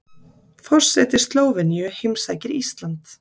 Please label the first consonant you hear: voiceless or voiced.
voiceless